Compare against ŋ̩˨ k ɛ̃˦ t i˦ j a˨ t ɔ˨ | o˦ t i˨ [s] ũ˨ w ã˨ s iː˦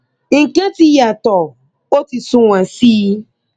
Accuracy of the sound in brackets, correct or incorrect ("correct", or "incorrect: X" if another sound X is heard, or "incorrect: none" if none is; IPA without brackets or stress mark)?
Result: correct